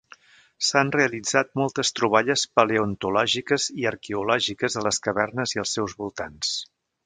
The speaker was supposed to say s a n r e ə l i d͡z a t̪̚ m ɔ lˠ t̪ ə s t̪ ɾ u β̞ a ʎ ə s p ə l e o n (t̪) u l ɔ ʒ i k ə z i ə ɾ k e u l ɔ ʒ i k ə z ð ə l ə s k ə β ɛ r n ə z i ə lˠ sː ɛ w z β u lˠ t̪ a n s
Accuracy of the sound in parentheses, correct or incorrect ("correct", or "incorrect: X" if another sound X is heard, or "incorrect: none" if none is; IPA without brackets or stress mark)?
correct